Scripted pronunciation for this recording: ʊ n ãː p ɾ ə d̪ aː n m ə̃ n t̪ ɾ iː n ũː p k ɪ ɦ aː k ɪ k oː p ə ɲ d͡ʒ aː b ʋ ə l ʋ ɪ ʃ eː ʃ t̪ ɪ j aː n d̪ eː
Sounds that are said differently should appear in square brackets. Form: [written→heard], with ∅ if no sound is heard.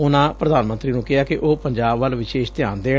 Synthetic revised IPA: ʊ n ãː p ɾ ə d̪ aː n m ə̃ n t̪ ɾ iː n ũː [p→∅] k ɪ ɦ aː k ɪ [k→ʔ] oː p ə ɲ d͡ʒ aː b ʋ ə l ʋ ɪ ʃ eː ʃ t̪ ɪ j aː n d̪ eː